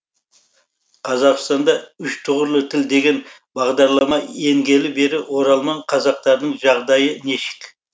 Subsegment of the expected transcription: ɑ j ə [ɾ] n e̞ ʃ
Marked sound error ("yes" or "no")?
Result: yes